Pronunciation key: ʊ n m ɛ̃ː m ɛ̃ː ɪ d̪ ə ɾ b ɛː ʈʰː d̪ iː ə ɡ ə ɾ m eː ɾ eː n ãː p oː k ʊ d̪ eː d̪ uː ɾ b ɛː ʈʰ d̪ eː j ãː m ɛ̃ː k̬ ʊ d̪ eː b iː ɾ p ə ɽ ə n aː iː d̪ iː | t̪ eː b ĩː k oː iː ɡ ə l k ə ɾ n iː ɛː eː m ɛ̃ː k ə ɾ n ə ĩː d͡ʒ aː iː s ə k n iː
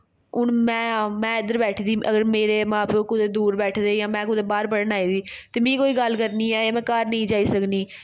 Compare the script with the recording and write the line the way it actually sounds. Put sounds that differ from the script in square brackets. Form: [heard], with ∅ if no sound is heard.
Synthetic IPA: ʊ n m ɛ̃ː m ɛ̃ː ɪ d̪ ə ɾ b ɛː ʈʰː d̪ iː ə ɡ ə ɾ m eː ɾ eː [m] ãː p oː k ʊ d̪ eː d̪ uː ɾ b ɛː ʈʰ d̪ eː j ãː m ɛ̃ː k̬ ʊ d̪ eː b [aː] ɾ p ə ɽ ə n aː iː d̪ iː | t̪ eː [m] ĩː k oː iː ɡ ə l k ə ɾ n iː ɛː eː m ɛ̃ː k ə ɾ n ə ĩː d͡ʒ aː iː s ə k n iː